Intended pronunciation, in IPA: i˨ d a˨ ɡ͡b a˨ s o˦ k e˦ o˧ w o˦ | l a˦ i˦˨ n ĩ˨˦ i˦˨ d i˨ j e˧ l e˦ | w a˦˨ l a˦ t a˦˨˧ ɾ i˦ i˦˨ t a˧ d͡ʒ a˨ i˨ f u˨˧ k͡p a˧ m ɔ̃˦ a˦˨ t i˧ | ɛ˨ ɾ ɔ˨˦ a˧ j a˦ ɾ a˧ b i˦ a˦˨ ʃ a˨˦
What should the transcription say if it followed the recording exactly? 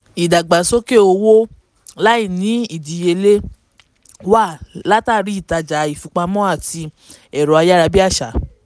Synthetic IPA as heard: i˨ d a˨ ɡ͡b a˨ s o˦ k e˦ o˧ w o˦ | l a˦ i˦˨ n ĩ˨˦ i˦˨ d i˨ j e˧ l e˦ | w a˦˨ l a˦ t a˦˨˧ ɾ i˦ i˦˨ t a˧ d͡ʒ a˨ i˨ f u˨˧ k͡p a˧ m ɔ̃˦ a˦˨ t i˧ | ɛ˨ ɾ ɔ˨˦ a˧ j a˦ ɾ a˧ b i˦ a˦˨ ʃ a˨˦